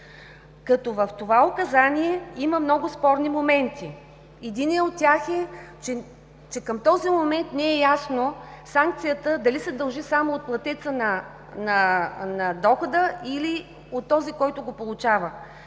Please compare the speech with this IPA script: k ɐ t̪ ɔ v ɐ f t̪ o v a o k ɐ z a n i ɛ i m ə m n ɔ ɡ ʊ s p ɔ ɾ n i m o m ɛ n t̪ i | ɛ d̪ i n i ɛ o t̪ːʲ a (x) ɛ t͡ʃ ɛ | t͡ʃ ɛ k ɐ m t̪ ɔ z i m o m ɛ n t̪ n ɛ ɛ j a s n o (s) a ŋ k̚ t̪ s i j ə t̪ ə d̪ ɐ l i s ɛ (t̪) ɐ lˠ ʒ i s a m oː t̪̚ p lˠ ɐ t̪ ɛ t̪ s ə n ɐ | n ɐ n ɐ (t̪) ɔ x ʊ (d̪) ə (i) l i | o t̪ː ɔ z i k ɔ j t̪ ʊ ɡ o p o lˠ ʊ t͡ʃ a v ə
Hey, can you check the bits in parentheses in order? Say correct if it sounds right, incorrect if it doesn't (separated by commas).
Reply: correct, correct, incorrect, incorrect, correct, correct